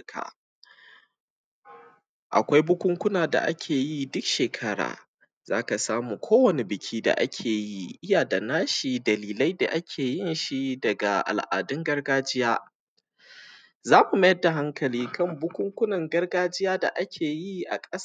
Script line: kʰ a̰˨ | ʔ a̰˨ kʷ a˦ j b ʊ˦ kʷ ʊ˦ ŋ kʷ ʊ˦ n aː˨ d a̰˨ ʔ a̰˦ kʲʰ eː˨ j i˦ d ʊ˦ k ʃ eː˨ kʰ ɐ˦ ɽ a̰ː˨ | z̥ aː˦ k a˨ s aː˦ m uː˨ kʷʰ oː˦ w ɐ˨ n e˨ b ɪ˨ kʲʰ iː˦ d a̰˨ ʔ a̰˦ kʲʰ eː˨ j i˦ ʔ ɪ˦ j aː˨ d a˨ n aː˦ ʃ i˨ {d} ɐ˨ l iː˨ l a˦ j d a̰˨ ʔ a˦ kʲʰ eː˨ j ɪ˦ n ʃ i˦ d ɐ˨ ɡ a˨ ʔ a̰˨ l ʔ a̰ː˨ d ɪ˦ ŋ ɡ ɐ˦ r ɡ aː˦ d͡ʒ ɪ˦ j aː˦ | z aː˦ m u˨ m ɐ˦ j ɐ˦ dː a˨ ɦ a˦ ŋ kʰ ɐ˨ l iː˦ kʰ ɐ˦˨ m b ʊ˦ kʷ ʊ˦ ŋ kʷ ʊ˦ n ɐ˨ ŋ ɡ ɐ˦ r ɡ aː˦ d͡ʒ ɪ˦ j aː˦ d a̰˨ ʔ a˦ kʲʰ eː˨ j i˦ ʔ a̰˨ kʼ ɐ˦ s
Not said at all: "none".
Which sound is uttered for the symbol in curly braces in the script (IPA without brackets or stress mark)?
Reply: d